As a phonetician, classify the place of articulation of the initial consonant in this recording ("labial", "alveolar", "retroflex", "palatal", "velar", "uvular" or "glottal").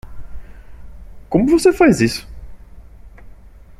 velar